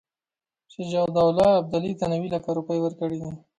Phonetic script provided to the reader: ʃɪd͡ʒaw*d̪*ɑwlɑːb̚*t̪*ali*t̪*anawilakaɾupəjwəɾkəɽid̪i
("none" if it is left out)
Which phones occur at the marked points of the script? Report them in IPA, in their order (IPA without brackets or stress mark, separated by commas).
d̪, d̪, t̪